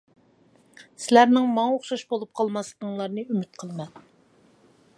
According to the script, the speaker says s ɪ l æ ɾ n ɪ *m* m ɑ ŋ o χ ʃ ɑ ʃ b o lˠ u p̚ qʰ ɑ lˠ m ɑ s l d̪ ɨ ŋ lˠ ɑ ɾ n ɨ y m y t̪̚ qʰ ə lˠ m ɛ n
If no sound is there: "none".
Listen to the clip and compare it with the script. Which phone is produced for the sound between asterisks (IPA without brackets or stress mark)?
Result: ŋ